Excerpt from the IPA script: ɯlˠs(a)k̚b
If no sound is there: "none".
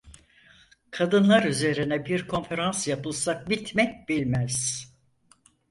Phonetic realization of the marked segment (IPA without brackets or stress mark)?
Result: a